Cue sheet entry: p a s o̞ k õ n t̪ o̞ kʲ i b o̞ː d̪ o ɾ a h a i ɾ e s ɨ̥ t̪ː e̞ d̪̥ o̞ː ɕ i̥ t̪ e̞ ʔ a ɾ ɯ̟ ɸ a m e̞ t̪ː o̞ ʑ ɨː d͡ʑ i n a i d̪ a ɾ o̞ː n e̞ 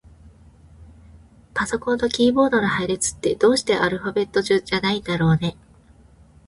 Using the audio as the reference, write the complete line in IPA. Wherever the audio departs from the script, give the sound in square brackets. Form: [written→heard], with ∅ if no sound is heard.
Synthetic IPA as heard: p a s o̞ k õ n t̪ o̞ kʲ [i→iː] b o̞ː d̪ o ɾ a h a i ɾ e [s→t͡s] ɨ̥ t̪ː e̞ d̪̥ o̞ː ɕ i̥ t̪ e̞ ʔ a ɾ ɯ̟ ɸ a [m→b] e̞ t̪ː o̞ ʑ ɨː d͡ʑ [i→a] n a i d̪ a ɾ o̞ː n e̞